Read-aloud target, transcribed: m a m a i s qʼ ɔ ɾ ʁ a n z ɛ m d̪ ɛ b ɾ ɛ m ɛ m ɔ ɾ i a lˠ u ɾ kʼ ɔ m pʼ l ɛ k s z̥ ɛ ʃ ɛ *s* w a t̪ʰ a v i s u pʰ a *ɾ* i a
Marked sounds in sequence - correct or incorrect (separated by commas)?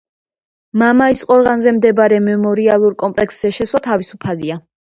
correct, incorrect